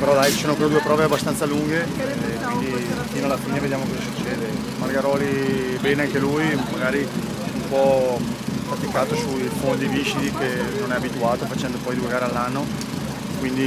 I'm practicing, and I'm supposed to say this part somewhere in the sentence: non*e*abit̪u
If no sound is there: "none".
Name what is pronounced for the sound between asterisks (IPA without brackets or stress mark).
ɛ